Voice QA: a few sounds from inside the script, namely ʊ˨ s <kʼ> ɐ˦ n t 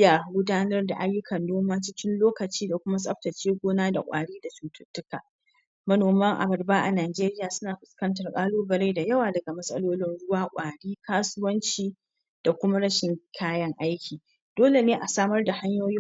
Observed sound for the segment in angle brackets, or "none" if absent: k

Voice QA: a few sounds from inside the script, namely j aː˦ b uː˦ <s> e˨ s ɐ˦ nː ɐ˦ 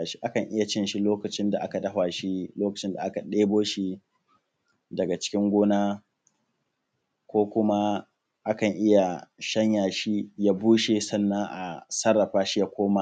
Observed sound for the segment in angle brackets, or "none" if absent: ʃ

